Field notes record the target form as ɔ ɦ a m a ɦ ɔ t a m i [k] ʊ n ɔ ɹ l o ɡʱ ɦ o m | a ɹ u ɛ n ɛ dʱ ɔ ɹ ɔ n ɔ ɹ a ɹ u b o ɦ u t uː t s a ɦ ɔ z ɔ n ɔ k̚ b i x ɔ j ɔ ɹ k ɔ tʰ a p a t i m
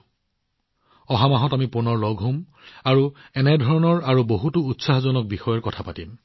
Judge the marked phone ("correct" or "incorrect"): incorrect